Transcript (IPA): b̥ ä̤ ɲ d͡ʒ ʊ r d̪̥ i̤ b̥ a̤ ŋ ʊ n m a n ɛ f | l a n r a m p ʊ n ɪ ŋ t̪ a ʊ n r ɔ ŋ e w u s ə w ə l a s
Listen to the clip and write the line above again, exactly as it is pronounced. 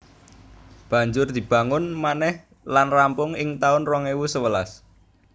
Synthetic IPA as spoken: b̥ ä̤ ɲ d͡ʒ ʊ r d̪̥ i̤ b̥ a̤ ŋ ʊ n m a n ɛ h | l a n r a m p ʊ ŋ ɪ ŋ t̪ a ʊ n r ɔ ŋ e w u s ə w ə l a s